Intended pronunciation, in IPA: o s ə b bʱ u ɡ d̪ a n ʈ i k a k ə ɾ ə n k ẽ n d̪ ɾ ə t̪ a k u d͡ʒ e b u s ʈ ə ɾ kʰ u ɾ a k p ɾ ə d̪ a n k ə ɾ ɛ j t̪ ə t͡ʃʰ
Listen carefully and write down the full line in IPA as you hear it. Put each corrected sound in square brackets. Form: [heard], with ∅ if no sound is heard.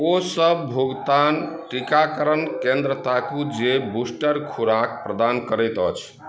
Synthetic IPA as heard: o s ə b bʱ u ɡ [t̪] a n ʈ i k a k ə ɾ ə n k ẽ n d̪ ɾ ə t̪ a k u d͡ʒ e b u s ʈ ə ɾ kʰ u ɾ a k p ɾ ə d̪ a n k ə ɾ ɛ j t̪ ə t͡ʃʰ